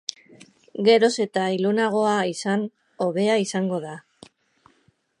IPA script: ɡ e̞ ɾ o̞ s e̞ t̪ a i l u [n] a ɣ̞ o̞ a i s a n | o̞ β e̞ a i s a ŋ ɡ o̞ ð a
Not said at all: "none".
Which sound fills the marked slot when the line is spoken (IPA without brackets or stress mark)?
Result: n